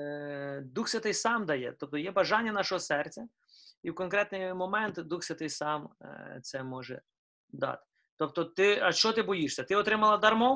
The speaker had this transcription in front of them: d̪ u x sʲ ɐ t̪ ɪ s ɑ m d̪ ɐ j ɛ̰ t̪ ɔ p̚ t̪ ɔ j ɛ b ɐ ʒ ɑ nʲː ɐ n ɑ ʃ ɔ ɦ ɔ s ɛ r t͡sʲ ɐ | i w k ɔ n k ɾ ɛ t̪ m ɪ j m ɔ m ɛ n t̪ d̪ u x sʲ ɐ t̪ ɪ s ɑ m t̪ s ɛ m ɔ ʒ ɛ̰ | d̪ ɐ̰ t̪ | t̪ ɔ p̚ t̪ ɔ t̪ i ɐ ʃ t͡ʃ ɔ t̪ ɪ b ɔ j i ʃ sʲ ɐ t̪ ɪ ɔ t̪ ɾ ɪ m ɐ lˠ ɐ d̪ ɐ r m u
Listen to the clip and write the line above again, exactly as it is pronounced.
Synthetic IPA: d̪ u x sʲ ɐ t̪ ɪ s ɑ m d̪ ɐ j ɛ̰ t̪ ɔ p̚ t̪ ɔ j ɛ b ɐ ʒ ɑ nʲː ɐ n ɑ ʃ ɔ ɦ ɔ s ɛ r t͡sʲ ɐ | i w k ɔ n k ɾ ɛ t̪ n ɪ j m ɔ m ɛ n t̪ d̪ u x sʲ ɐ t̪ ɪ s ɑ m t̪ s ɛ m ɔ ʒ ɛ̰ | d̪ ɑ̰ t̪ | t̪ ɔ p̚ t̪ ɔ t̪ ɪ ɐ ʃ t͡ʃ ɔ t̪ ɪ b ɔ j i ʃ sʲ ɐ t̪ ɪ ɔ t̪ ɾ ɪ m ɐ lˠ ɐ d̪ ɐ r m ɔ